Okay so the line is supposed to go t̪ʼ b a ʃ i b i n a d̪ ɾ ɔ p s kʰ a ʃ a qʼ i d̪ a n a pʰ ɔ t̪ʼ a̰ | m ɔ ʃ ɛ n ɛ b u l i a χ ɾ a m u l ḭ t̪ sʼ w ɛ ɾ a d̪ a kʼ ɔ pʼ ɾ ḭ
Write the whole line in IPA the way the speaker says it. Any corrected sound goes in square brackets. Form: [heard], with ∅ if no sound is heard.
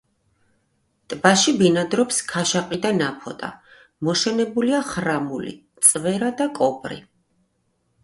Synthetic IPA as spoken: t̪ʼ b a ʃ i b i n a d̪ ɾ ɔ p s kʰ a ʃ a qʼ i d̪ a n a pʰ ɔ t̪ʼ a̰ | m ɔ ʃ ɛ n ɛ b u l i a χ ɾ a m u l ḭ t̪ sʼ [v] ɛ ɾ a d̪ a kʼ ɔ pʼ ɾ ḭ